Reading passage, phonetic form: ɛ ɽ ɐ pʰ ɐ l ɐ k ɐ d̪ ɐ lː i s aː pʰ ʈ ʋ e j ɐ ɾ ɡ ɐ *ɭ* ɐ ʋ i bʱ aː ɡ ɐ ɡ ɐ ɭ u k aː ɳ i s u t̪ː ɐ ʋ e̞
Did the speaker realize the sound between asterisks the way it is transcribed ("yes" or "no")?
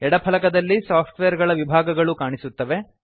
yes